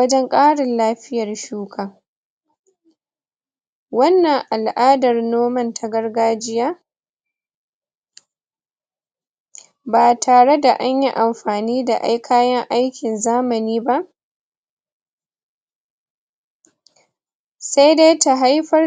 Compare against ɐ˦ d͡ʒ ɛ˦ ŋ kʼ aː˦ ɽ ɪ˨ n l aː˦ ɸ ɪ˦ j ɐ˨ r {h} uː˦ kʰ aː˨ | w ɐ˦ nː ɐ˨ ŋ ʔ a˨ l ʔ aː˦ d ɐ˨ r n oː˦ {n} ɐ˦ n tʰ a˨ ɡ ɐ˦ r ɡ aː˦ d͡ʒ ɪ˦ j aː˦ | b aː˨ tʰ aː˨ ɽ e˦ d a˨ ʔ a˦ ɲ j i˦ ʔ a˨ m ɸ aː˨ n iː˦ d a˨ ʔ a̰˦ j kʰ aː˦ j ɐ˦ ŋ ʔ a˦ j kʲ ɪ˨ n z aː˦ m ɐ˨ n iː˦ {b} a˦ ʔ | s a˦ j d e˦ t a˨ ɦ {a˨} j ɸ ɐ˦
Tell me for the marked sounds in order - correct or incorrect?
incorrect: ʃ, incorrect: m, correct, incorrect: a˦

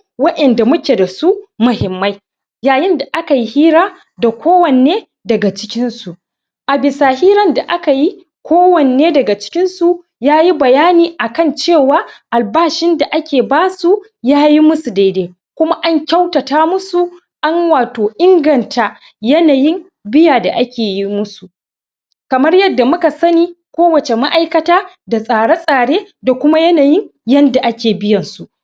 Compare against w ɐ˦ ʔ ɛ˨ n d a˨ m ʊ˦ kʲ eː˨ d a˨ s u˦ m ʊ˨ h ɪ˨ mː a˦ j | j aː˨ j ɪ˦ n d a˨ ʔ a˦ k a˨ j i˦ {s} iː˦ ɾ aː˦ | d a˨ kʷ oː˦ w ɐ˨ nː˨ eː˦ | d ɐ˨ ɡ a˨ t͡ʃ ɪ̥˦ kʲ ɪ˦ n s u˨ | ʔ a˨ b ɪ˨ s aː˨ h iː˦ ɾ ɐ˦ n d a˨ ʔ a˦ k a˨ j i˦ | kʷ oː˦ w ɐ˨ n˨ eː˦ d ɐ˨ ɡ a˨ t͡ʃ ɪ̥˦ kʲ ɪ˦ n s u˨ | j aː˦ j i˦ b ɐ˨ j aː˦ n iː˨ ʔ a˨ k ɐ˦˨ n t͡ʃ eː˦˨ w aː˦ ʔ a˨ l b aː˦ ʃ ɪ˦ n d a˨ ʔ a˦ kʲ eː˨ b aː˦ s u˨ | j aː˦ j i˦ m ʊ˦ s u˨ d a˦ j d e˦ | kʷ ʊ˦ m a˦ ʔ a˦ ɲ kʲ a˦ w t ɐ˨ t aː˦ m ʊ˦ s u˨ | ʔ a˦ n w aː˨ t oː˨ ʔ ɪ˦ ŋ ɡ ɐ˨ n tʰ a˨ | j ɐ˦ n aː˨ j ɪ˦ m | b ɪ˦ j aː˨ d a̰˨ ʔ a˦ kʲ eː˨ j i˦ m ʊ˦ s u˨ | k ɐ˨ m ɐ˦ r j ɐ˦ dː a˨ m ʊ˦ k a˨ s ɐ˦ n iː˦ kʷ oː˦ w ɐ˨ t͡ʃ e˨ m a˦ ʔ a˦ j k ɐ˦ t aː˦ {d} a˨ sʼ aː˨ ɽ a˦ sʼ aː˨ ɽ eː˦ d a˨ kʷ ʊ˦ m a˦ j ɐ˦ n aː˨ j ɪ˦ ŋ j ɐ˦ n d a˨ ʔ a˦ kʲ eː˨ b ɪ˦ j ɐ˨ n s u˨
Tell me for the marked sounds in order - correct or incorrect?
incorrect: h, correct

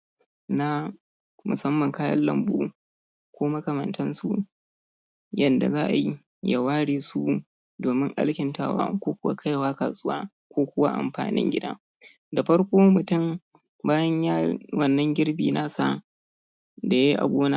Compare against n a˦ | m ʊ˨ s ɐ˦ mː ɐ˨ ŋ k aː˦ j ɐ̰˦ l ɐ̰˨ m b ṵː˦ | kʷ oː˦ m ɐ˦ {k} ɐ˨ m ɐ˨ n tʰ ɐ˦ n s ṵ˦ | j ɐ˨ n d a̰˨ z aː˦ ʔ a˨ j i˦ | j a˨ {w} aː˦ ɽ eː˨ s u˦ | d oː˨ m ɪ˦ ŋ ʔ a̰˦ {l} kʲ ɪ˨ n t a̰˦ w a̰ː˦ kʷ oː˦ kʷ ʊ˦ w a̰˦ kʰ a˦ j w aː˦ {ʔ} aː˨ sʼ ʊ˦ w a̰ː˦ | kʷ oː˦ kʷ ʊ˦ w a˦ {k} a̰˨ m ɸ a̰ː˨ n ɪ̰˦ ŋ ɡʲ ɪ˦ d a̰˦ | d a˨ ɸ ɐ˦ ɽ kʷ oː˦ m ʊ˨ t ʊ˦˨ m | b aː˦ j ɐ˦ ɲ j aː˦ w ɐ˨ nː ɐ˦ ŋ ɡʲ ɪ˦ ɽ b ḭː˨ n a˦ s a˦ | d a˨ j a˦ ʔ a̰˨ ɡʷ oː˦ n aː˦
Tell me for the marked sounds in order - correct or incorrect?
correct, correct, correct, incorrect: k, incorrect: ʔ

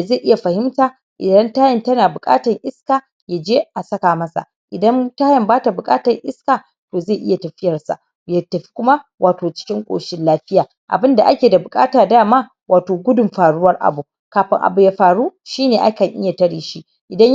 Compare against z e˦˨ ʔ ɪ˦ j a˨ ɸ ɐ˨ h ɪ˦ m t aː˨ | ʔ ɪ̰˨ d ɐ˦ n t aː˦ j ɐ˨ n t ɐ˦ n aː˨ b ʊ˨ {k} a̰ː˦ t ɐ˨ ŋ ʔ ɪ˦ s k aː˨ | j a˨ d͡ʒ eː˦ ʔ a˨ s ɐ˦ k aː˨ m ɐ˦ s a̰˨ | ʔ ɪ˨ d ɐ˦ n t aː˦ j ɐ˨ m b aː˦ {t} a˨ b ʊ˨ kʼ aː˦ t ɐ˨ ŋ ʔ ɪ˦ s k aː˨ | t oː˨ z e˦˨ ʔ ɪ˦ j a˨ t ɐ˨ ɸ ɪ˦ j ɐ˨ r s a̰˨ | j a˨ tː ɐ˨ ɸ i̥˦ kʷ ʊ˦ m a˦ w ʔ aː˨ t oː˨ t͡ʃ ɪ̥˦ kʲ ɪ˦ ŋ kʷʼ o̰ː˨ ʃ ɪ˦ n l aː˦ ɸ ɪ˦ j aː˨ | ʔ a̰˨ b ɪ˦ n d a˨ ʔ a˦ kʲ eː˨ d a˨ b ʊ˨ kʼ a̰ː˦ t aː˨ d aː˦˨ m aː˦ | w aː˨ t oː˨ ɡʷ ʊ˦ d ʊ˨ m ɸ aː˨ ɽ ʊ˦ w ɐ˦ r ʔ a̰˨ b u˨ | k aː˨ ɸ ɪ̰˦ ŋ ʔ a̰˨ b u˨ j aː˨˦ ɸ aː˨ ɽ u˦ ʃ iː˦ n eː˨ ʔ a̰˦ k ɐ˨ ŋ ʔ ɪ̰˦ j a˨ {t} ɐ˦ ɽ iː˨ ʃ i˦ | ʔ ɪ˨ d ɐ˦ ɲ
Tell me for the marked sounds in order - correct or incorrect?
incorrect: kʼ, correct, correct

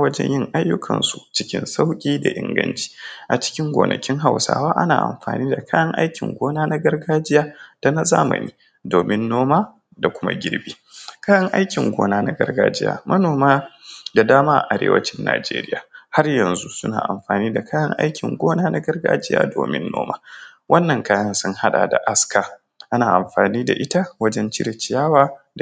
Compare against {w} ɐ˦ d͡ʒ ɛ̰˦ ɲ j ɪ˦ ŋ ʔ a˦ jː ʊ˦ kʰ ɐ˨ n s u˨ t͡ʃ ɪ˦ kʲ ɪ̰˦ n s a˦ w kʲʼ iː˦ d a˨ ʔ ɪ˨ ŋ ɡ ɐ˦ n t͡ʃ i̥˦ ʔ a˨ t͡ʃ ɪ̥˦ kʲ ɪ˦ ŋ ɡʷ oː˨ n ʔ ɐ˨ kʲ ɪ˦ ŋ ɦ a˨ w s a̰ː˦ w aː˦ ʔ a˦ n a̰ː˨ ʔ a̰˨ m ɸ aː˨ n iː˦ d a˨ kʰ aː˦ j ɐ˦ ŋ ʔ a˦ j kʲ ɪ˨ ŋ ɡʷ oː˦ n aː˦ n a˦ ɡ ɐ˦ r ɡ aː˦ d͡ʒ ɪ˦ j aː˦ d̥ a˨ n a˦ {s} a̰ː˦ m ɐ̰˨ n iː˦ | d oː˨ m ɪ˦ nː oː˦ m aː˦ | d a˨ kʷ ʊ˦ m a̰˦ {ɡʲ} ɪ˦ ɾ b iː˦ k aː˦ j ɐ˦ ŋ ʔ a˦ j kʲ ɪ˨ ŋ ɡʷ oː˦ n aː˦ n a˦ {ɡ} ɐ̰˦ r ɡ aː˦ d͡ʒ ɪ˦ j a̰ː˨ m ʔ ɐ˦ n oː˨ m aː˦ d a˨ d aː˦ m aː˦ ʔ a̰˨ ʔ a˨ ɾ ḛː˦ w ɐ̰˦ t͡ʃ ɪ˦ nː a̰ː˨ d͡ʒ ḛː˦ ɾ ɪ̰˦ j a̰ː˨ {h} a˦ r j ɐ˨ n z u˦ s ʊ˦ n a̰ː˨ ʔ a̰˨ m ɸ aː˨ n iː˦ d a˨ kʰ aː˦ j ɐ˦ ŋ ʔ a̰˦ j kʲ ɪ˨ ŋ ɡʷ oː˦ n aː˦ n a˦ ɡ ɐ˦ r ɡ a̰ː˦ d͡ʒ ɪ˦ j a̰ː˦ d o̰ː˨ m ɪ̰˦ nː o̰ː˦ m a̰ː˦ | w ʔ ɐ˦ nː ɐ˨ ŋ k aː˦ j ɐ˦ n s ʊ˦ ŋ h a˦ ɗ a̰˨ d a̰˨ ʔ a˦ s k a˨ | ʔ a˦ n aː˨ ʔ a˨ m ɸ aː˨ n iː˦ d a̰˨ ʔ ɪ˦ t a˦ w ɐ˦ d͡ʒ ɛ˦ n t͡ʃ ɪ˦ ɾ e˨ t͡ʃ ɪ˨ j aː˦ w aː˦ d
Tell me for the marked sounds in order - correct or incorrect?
correct, incorrect: z, correct, correct, correct

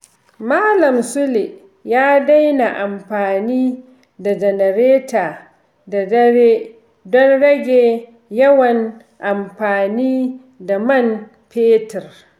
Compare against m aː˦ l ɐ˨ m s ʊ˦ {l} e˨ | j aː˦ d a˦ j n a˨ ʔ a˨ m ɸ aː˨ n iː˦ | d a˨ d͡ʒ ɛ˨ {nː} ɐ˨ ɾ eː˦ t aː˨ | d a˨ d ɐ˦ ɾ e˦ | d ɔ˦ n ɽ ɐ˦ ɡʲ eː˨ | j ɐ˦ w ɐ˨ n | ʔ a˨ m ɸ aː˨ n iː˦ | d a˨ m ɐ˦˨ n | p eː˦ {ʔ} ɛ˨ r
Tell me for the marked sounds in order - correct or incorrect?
correct, incorrect: n, incorrect: t

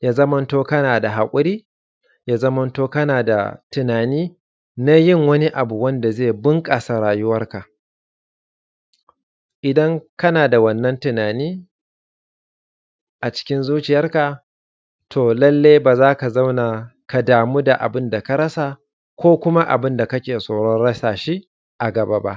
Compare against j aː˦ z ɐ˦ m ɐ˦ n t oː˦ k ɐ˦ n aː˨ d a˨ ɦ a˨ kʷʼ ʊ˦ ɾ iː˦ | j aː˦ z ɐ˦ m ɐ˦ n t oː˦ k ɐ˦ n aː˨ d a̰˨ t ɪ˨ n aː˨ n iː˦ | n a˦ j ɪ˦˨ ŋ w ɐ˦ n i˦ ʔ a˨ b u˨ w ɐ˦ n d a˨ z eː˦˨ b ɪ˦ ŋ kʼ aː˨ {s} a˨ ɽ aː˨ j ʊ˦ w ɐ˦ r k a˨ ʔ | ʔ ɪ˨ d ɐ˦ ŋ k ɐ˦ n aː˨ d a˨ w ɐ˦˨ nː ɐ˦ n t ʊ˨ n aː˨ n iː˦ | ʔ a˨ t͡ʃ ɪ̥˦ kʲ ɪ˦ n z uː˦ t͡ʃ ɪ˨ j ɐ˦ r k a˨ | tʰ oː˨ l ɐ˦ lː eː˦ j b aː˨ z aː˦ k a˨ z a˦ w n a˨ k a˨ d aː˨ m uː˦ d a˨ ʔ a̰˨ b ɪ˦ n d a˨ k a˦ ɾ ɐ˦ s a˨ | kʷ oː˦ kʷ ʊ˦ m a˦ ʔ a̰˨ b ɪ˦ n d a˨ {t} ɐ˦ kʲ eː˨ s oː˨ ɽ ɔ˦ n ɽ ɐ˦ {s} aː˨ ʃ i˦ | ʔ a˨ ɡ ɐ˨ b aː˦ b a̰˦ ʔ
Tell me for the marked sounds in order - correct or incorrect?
correct, incorrect: k, correct

